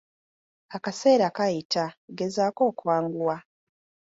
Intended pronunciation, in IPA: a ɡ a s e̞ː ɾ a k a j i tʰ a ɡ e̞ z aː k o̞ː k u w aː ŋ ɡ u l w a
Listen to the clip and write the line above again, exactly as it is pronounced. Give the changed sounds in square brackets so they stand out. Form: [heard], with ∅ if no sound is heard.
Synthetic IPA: a [k] a s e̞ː ɾ a k a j i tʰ a ɡ e̞ z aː k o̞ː k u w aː ŋ ɡ u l w a

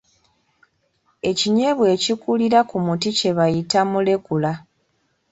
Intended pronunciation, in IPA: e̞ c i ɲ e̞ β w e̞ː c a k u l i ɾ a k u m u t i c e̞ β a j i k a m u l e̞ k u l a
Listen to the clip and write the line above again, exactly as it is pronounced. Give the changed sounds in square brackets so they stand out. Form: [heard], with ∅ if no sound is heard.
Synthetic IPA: e̞ c i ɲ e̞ β w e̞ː c [i] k u l i ɾ a k u m u t i c e̞ β a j i [t] a m u l e̞ k u l a

